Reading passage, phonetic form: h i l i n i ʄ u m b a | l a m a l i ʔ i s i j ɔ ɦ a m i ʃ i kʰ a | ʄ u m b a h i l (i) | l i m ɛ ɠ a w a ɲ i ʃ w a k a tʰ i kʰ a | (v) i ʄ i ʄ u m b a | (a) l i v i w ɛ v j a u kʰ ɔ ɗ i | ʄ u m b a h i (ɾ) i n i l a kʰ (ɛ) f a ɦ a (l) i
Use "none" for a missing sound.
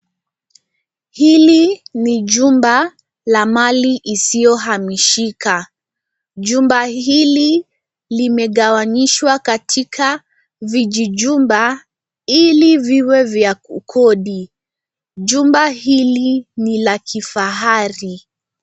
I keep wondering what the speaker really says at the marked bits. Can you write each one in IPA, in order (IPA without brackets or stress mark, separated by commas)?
i, v, i, l, i, ɾ